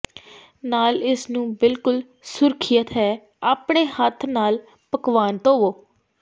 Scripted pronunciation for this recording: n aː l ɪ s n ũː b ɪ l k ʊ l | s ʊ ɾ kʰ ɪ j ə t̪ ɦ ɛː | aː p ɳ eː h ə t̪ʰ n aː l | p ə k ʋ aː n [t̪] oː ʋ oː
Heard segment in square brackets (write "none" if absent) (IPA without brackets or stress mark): t̪